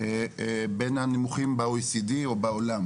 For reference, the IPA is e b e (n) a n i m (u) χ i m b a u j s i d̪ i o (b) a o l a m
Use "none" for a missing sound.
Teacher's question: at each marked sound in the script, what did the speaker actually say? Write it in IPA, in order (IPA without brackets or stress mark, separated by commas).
n, u, b